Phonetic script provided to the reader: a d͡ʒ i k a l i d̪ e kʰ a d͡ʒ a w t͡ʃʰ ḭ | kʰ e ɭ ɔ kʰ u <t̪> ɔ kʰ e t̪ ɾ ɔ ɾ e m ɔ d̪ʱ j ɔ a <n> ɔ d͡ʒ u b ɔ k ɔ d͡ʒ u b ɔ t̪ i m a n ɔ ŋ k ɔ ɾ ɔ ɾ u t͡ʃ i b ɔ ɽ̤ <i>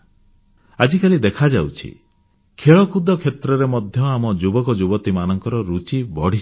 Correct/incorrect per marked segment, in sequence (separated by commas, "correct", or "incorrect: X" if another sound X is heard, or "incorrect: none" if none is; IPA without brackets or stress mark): incorrect: d̪, incorrect: m, correct